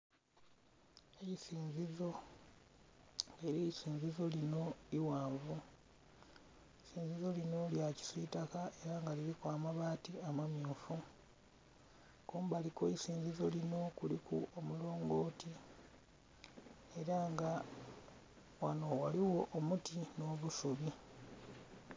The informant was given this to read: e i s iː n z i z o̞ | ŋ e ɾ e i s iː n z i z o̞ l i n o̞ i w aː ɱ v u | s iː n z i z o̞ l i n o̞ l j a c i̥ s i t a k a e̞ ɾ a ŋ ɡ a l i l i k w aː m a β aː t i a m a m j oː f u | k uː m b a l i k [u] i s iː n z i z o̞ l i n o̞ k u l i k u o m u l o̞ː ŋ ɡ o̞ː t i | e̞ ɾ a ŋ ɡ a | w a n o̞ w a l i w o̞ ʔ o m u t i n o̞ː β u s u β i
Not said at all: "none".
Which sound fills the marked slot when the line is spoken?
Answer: o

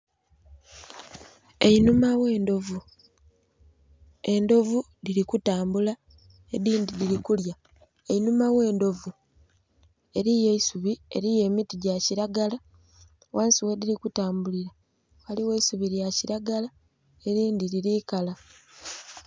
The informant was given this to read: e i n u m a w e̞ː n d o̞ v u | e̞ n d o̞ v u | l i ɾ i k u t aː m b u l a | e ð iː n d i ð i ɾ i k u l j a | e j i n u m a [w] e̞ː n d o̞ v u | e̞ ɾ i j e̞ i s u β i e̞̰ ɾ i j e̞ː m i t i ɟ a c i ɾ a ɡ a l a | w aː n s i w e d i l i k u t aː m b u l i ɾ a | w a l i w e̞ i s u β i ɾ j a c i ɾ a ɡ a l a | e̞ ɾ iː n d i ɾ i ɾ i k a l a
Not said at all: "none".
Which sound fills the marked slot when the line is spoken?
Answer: w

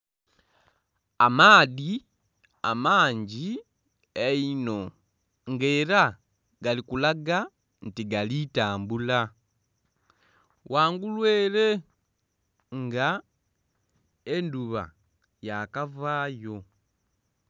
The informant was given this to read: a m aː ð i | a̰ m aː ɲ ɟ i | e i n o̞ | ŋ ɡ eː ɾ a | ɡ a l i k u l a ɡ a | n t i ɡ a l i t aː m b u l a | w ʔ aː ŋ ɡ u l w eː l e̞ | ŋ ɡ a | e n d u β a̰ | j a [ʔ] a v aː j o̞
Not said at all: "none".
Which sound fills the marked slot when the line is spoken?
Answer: k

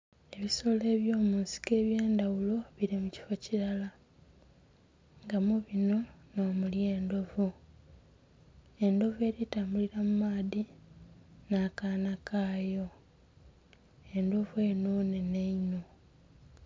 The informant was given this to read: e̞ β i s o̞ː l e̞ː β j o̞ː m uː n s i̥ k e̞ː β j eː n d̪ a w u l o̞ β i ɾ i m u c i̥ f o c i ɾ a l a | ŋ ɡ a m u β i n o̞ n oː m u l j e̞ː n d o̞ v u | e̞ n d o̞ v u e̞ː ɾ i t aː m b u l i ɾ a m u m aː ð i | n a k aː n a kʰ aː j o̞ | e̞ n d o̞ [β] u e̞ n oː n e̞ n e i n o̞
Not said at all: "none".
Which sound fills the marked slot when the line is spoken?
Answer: v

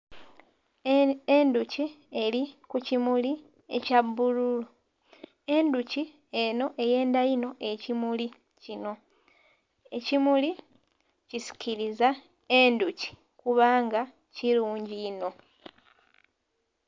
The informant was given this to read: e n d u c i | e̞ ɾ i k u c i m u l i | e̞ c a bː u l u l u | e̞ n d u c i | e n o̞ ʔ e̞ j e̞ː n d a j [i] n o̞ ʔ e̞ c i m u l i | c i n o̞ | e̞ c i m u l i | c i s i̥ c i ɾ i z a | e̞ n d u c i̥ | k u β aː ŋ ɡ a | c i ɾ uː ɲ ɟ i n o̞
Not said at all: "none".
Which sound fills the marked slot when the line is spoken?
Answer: i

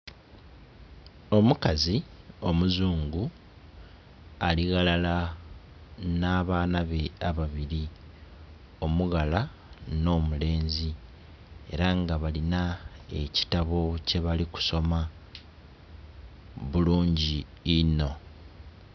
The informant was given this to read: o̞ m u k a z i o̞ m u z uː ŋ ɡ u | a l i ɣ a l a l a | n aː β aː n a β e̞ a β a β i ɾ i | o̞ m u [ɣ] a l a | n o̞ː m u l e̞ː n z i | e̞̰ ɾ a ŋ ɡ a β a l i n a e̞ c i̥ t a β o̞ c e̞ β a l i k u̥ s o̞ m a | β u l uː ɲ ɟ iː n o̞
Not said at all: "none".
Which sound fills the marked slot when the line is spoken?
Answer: ɣ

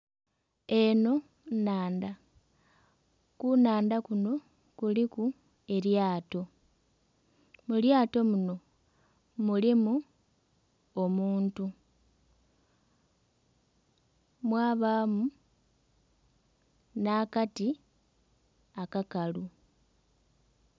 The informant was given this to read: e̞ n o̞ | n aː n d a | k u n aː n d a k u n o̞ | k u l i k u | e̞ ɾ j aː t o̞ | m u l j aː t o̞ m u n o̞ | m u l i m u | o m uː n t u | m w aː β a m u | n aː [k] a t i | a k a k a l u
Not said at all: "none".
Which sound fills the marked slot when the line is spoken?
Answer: k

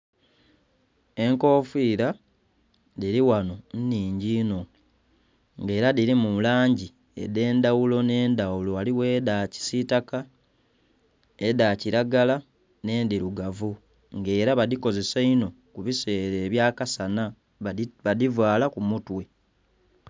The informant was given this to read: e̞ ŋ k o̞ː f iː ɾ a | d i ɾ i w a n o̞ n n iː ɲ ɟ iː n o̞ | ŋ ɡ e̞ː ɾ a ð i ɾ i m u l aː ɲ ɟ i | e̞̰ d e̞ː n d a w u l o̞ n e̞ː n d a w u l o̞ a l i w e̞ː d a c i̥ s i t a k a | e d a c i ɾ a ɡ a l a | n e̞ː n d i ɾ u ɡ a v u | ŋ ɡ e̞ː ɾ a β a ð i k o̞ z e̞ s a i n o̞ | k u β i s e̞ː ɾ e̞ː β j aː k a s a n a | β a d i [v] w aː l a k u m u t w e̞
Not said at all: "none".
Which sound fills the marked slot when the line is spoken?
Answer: v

